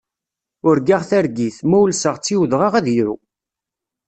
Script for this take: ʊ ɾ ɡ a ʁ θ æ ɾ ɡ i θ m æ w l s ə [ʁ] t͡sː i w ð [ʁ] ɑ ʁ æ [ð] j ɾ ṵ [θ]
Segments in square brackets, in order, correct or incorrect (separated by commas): correct, correct, correct, incorrect